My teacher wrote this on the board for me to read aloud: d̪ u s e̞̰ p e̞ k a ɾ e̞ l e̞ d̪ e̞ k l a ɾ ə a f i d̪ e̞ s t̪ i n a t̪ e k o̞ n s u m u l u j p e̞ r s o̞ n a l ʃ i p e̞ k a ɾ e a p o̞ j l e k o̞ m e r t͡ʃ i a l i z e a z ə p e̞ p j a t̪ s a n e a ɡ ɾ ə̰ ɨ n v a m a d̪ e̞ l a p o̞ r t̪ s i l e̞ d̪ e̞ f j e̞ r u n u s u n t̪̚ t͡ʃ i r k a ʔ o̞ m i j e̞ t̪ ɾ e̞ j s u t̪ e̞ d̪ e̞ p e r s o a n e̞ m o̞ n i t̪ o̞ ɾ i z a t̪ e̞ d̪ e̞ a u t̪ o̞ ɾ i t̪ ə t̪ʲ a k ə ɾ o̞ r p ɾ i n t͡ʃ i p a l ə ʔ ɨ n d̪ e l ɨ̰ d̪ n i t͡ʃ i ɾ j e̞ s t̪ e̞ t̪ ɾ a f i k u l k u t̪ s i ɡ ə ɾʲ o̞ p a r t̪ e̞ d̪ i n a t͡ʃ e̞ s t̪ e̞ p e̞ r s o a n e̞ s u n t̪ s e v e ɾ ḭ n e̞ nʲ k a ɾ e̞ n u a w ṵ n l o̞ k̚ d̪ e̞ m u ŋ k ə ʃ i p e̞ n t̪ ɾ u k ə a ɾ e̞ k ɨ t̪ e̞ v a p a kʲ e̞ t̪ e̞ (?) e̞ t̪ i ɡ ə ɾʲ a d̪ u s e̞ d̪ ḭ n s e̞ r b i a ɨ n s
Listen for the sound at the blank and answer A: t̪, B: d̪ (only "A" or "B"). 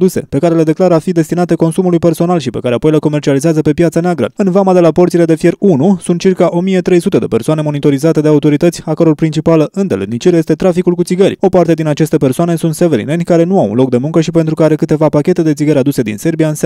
B